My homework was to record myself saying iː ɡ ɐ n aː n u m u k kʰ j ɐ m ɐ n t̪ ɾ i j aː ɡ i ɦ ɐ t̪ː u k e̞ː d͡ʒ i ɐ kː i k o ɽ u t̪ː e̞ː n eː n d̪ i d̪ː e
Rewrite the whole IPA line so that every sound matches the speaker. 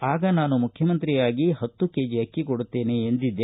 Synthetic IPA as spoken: aː ɡ ɐ n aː n u m u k kʰ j ɐ m ɐ n t̪ ɾ i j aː ɡ i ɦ ɐ t̪ː u k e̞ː d͡ʒ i ɐ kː i k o ɽ u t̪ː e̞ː n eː n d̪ i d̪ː e